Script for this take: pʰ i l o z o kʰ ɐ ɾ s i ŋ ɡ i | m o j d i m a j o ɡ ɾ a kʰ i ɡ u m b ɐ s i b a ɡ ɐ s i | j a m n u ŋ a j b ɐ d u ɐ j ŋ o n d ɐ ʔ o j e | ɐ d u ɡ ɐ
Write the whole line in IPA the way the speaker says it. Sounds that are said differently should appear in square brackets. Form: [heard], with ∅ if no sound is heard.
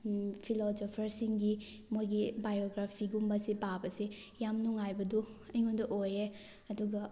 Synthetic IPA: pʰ i l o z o [pʰ] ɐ ɾ s i ŋ ɡ i | m o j [ɡ] i [b] a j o ɡ ɾ a [pʰ] i ɡ u m b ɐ s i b a [b] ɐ s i | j a m n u ŋ a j b ɐ d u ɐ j ŋ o n d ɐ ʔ o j e | ɐ d u ɡ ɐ